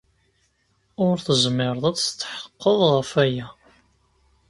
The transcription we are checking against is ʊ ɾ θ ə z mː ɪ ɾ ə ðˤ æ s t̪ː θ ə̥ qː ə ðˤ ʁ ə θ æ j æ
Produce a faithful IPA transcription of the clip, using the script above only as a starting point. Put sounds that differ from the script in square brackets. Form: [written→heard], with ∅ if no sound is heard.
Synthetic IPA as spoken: ʊ ɾ θ ə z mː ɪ ɾ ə ðˤ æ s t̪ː [θ→ħ] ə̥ qː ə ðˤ ʁ ə [θ→f] æ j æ